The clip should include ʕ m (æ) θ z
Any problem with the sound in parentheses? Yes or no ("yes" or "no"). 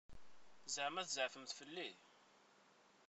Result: no